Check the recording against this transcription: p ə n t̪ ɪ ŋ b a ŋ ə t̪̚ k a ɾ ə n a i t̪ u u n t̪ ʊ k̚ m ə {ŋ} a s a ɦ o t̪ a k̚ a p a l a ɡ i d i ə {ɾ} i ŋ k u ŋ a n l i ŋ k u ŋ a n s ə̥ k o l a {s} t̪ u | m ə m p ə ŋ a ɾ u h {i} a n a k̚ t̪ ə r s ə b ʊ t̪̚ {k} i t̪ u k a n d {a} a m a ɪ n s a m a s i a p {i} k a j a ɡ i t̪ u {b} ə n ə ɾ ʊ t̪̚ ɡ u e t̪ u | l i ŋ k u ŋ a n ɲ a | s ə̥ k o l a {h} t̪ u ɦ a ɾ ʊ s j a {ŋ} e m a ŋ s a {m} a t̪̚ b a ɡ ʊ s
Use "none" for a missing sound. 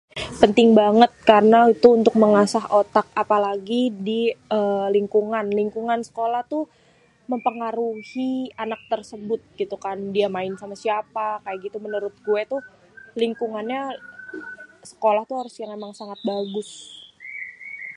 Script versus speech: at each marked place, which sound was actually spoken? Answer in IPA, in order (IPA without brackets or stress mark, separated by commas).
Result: ŋ, l, h, i, ɡ, i, a, m, h, ŋ, ŋ